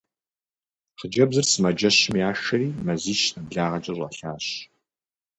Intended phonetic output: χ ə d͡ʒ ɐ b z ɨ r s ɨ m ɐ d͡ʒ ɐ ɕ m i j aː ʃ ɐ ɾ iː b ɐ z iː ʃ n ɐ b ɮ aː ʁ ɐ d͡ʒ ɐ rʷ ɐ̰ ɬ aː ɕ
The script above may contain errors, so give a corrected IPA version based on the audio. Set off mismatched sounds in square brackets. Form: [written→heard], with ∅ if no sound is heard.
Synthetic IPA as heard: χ ə d͡ʒ ɐ b z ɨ r s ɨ m ɐ d͡ʒ ɐ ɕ m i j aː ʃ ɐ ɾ iː [b→m] ɐ z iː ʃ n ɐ b ɮ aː ʁ ɐ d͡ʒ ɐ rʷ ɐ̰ ɬ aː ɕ